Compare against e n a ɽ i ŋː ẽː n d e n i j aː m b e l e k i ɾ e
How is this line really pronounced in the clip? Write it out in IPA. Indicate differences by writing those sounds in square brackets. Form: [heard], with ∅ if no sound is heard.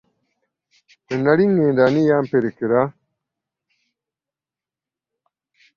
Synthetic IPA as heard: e n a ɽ i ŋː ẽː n d [a] n i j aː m [p] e [ɾ] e k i ɾ [a]